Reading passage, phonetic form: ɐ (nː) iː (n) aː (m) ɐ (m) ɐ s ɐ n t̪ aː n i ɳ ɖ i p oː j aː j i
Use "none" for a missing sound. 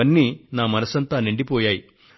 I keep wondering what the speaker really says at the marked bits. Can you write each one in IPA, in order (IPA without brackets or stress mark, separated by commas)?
nː, n, m, n